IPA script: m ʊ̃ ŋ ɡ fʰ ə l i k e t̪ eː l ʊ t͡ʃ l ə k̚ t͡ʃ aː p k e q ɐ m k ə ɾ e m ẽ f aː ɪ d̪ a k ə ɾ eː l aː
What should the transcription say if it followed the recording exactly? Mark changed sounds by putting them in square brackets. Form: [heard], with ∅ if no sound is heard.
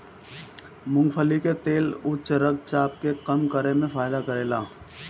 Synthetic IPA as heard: m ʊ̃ ŋ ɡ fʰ ə l i k e t̪ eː l ʊ t͡ʃ [ɾ] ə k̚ t͡ʃ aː p k e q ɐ m k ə ɾ e m ẽ f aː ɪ d̪ a k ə ɾ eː l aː